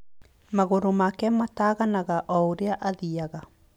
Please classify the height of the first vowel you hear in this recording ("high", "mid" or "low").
low